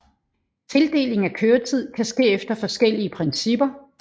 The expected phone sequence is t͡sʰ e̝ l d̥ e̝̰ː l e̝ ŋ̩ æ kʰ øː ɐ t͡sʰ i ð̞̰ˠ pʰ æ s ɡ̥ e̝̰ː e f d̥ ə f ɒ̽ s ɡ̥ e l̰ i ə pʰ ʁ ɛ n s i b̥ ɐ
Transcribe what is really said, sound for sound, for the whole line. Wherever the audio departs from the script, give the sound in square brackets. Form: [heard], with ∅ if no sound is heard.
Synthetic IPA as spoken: t͡sʰ e̝ l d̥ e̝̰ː l e̝ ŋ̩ æ kʰ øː ɐ t͡sʰ i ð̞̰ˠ [kʰ] æ s ɡ̥ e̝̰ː e f d̥ [ɐ] f ɒ̽ s ɡ̥ e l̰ i ə pʰ ʁ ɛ n s i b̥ ɐ